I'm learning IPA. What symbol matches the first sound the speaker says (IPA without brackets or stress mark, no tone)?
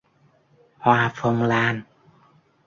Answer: h